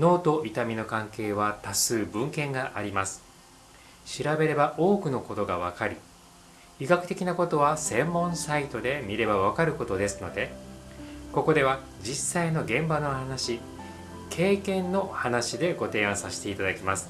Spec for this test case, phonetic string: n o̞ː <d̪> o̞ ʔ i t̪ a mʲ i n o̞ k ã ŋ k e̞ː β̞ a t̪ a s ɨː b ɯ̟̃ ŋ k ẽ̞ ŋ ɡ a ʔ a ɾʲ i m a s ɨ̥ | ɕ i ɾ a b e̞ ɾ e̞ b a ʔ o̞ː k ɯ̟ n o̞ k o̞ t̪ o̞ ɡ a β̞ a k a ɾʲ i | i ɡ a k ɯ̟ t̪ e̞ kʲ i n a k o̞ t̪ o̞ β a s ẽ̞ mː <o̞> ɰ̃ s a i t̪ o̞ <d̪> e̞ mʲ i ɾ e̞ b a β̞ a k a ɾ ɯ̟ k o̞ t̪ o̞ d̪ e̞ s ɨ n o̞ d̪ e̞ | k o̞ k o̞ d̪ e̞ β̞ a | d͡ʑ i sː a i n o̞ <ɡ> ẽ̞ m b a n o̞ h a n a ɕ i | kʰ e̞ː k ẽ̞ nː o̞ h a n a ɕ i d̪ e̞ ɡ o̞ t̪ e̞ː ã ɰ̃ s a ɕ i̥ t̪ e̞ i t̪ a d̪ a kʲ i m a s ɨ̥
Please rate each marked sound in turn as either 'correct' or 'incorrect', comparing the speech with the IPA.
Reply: incorrect: t̪, incorrect: õ̞, correct, correct

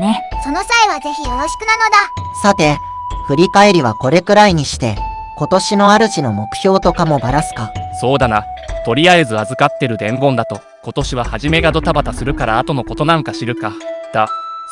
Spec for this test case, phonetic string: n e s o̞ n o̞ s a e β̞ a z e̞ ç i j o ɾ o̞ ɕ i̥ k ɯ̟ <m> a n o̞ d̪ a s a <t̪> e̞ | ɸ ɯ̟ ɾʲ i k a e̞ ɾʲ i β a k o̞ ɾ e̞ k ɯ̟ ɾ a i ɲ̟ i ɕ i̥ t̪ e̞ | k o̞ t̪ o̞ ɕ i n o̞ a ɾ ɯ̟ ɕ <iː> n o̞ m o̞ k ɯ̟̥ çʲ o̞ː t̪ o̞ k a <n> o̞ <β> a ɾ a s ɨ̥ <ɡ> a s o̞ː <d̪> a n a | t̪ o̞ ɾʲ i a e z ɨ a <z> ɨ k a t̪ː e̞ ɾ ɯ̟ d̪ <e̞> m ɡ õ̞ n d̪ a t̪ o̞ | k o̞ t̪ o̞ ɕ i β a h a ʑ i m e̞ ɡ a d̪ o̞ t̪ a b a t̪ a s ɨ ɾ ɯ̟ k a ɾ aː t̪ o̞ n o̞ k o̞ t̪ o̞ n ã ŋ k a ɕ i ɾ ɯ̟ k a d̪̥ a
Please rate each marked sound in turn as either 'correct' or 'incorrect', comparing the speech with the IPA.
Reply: incorrect: n, correct, incorrect: i, incorrect: m, incorrect: b, incorrect: k, correct, correct, incorrect: ẽ̞

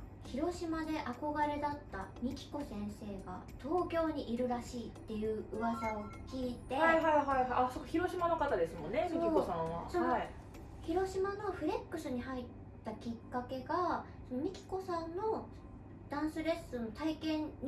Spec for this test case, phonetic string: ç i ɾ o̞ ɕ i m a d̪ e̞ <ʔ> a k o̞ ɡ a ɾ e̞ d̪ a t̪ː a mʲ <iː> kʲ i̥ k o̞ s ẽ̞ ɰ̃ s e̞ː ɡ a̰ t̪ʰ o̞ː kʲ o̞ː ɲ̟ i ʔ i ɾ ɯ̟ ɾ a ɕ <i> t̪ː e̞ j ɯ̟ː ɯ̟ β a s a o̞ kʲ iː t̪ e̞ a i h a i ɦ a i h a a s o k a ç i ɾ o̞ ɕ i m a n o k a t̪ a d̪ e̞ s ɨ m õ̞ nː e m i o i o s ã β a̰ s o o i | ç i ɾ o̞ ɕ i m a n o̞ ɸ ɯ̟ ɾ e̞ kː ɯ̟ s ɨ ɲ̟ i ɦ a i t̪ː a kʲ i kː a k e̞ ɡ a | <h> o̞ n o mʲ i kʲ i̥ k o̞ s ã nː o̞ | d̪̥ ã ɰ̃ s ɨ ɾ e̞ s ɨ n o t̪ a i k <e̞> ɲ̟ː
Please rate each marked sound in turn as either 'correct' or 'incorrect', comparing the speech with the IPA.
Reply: correct, incorrect: i, incorrect: iː, incorrect: s, incorrect: ẽ̞

